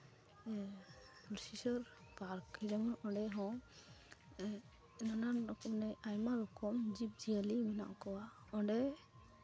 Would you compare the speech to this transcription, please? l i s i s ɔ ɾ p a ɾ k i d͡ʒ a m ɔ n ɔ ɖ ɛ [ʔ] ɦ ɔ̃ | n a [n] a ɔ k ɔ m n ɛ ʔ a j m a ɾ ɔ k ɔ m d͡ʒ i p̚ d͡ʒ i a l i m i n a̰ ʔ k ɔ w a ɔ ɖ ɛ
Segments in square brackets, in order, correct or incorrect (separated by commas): incorrect, correct